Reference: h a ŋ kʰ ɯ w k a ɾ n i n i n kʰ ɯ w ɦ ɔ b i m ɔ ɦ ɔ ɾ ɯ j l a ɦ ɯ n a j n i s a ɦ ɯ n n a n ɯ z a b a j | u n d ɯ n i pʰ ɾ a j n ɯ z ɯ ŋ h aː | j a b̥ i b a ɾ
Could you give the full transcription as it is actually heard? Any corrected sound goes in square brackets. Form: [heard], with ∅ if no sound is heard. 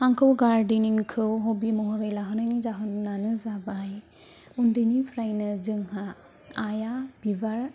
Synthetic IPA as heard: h a ŋ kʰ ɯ w [ɡ] a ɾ [d] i n i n kʰ ɯ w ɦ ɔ b i m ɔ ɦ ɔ ɾ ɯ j l a ɦ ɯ n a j n i [z] a ɦ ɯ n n a n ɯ z a b a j | u n d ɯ n i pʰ ɾ a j n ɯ z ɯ ŋ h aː | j a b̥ i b a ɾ

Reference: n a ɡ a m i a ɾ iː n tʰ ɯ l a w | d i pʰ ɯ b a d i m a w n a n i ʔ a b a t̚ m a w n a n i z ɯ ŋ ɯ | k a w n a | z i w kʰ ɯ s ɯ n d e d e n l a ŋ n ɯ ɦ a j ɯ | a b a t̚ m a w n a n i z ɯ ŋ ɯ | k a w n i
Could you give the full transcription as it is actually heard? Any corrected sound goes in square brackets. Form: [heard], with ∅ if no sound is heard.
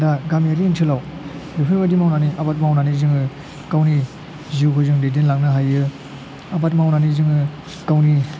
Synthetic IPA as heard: [d] a ɡ a m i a ɾ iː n tʰ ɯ l a w | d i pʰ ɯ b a d i m a w n a n i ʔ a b a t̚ m a w n a n i z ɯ ŋ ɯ | k a w n [i] | z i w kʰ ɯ [z] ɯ [ŋ] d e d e n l a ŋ n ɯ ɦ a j ɯ | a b a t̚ m a w n a n i z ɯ ŋ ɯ | k a w n i

